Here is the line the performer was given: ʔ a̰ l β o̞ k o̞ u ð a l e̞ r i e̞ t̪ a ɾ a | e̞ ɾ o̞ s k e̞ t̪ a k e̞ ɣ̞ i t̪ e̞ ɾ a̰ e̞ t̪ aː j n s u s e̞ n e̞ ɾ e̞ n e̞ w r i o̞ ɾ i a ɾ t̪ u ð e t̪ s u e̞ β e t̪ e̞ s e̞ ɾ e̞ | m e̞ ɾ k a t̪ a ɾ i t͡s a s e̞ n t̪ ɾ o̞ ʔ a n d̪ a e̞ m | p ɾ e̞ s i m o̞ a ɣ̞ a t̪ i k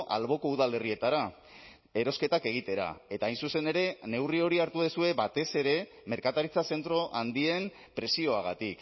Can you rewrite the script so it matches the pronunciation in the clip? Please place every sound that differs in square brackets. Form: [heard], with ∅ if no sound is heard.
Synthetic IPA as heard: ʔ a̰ l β o̞ k o̞ u ð a l e̞ r i e̞ t̪ a ɾ a | e̞ ɾ o̞ s k e̞ t̪ a k e̞ ɣ̞ i t̪ e̞ ɾ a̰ e̞ t̪ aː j n s u s e̞ n e̞ ɾ e̞ n e̞ w r i o̞ ɾ i a ɾ t̪ u ð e [∅] s u e̞ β [a] t̪ e̞ s e̞ ɾ e̞ | m e̞ ɾ k a t̪ a ɾ i t͡s a s e̞ n t̪ ɾ o̞ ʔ a n d̪ [i] e̞ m | p ɾ e̞ s i [∅] o̞ a ɣ̞ a t̪ i k